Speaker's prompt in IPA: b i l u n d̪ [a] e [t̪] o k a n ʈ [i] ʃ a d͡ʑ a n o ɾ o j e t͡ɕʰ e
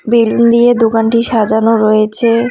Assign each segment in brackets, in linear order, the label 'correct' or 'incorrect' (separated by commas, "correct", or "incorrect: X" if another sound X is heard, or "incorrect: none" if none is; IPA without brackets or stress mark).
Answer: incorrect: i, incorrect: d̪, correct